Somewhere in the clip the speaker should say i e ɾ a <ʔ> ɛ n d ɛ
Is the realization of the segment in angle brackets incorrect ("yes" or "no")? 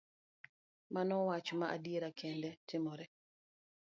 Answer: yes